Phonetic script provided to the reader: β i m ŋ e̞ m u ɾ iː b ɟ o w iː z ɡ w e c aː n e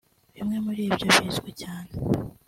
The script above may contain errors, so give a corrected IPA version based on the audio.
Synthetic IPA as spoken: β i m ŋ e̞ m u ɾ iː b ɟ o β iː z ɡ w e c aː n e